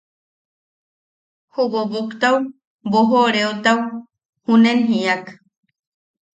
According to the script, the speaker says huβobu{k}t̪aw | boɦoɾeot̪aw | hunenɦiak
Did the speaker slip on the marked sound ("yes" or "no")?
no